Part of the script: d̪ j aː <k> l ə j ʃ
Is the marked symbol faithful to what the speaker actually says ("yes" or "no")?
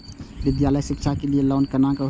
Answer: no